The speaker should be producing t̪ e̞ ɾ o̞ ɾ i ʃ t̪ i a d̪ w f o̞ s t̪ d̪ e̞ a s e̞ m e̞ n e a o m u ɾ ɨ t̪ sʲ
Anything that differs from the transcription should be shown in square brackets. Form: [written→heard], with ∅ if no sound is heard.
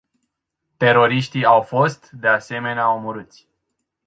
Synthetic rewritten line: t̪ e̞ ɾ o̞ ɾ i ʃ t̪ i a [d̪→∅] w f o̞ s t̪ d̪ e̞ a s e̞ m e̞ n e a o m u ɾ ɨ t̪ sʲ